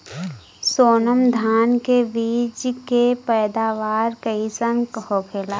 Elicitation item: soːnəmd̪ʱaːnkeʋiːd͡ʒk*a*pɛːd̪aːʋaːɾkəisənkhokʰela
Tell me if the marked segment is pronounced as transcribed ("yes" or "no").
no